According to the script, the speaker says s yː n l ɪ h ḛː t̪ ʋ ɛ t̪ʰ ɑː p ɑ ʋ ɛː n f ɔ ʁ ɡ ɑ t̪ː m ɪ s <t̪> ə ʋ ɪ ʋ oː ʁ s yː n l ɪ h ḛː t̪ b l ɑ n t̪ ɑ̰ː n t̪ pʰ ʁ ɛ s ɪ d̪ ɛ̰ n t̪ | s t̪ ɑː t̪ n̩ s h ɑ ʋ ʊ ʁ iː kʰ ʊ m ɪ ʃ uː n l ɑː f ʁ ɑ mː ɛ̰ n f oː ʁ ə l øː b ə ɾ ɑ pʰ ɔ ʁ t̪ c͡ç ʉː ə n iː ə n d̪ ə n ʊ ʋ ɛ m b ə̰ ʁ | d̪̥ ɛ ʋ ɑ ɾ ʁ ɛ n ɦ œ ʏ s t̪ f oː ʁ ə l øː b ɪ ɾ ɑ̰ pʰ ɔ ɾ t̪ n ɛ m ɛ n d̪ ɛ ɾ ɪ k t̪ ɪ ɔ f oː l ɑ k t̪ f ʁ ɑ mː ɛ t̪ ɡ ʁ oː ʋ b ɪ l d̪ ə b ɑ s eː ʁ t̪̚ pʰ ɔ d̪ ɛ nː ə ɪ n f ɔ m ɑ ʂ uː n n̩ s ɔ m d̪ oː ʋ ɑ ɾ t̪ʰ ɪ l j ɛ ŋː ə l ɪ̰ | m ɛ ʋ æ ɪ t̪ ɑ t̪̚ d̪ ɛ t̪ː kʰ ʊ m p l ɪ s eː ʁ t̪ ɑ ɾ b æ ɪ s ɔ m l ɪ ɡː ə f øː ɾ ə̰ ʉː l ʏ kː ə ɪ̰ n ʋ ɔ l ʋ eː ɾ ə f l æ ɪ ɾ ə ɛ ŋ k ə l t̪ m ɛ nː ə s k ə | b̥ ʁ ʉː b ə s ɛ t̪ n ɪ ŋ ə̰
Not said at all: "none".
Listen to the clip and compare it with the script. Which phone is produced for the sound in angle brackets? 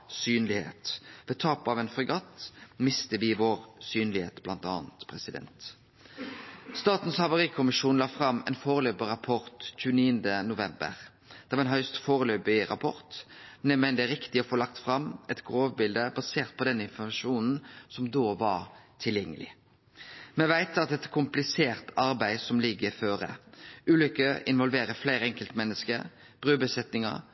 t̪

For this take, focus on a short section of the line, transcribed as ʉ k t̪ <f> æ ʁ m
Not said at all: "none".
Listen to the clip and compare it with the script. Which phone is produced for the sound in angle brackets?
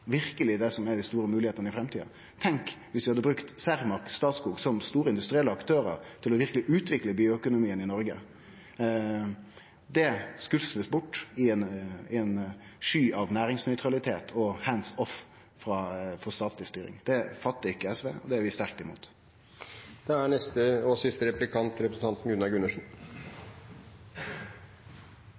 s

